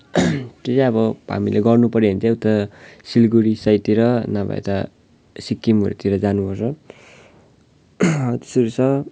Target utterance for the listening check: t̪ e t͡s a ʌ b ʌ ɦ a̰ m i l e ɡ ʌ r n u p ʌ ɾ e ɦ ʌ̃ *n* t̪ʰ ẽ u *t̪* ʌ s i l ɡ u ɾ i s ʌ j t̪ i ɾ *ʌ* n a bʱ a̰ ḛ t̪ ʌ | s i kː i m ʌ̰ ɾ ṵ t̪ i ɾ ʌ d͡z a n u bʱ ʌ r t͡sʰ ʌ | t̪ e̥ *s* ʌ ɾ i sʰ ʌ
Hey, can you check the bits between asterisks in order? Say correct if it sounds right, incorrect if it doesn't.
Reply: correct, correct, correct, correct

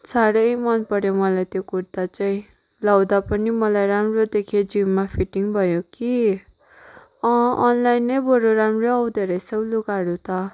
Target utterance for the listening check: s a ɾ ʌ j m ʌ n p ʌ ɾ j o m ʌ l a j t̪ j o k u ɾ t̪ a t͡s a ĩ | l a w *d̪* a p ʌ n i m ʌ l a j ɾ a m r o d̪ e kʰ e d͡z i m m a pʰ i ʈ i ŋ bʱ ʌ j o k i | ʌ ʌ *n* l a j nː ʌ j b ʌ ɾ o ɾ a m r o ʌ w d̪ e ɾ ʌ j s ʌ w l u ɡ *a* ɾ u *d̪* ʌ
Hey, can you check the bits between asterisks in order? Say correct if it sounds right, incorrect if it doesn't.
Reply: correct, correct, correct, incorrect: t̪

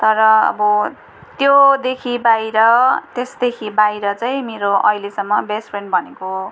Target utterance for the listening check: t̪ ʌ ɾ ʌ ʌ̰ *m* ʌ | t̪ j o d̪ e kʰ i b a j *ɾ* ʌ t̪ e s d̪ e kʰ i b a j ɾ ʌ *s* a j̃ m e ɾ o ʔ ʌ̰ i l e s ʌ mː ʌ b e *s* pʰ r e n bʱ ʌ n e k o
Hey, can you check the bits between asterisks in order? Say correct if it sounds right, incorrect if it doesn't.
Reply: incorrect: b, correct, incorrect: t͡s, correct

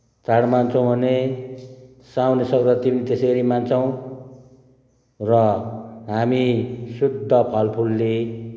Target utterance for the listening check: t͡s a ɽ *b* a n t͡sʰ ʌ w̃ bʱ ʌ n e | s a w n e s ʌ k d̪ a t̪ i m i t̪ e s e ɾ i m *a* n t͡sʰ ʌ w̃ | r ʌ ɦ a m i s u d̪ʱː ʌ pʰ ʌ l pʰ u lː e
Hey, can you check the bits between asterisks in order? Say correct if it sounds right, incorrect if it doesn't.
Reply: incorrect: m, correct

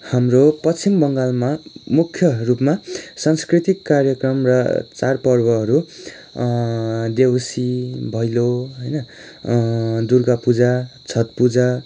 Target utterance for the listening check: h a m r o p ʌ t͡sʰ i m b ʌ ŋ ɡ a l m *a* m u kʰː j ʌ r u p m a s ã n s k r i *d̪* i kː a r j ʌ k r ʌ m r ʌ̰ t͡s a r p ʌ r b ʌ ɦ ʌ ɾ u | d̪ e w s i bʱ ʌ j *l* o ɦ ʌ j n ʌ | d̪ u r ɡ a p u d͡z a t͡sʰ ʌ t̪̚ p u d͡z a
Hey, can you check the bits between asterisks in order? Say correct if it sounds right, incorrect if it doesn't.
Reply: correct, incorrect: t̪, correct

